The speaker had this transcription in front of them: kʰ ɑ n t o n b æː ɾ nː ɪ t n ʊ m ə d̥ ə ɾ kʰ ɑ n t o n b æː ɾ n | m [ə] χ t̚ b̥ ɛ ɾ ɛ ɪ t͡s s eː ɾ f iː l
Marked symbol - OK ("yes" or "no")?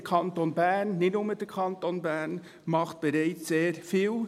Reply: no